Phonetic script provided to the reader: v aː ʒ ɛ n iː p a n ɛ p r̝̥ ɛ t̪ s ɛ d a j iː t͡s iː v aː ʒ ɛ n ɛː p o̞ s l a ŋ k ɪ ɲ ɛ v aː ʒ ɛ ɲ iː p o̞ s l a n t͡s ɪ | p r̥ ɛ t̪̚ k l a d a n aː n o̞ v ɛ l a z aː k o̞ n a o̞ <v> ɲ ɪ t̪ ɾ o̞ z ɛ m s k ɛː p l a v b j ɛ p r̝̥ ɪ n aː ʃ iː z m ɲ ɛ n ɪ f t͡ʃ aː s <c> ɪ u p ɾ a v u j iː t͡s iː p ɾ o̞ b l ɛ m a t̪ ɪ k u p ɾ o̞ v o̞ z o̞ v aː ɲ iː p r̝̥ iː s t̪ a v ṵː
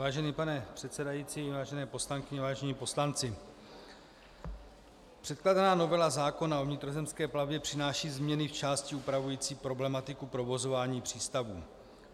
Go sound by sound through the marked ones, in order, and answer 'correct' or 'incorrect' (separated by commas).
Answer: correct, correct